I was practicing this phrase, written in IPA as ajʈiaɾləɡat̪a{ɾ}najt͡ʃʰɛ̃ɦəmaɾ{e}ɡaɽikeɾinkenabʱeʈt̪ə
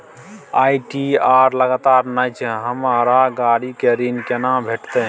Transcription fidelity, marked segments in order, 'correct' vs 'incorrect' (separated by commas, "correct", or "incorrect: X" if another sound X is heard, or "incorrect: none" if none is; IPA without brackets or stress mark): correct, incorrect: a